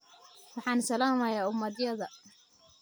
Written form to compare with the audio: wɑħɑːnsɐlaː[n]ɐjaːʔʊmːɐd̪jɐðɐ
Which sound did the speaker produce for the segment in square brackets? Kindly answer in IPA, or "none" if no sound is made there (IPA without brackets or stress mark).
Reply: m